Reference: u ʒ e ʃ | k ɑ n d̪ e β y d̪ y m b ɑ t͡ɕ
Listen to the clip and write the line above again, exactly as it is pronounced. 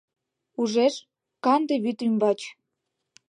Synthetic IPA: u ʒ e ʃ | k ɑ n d̪ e β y t̪ y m b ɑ t͡ɕ